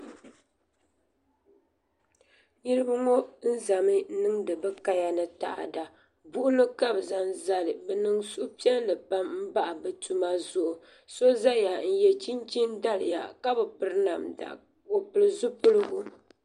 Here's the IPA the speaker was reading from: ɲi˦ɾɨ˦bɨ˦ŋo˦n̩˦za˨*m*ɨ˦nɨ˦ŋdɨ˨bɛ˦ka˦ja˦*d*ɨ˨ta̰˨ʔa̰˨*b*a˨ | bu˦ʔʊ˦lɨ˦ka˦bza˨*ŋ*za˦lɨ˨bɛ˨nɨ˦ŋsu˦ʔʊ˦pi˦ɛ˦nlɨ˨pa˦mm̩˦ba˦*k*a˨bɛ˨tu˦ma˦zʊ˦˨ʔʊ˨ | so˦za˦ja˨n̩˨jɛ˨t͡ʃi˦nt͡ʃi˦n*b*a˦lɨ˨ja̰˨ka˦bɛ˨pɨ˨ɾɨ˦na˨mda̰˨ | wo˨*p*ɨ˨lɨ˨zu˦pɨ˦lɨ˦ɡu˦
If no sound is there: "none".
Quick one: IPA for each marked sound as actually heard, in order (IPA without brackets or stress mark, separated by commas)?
m, n, d, n, ʔ, d, p